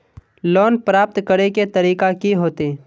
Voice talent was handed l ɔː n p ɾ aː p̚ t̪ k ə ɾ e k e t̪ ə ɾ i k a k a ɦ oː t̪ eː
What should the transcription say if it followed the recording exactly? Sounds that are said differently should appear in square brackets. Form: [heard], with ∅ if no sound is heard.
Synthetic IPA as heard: l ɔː n p ɾ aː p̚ t̪ k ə ɾ e k e t̪ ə ɾ [iː] k a k [i] ɦ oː t̪ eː